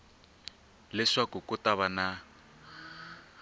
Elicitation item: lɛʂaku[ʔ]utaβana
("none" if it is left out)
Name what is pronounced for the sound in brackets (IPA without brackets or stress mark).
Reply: k